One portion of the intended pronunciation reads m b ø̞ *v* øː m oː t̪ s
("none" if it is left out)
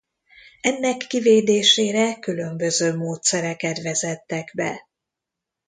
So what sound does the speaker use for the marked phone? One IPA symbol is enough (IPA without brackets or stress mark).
z